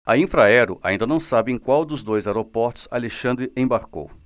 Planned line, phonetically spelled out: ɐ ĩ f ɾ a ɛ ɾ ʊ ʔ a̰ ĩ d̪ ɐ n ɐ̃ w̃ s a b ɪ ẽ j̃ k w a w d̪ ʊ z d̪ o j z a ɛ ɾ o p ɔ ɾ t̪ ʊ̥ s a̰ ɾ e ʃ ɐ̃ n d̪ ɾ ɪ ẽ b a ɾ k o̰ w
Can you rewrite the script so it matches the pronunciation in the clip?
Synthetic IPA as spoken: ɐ ĩ f ɾ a ɛ ɾ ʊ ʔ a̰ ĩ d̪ ɐ n ɐ̃ w̃ s a b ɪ ẽ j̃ k w a w d̪ ʊ z d̪ o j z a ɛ ɾ o p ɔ ɾ t̪ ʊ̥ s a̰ l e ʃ ɐ̃ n d̪ ɾ ɪ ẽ b a ɾ k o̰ w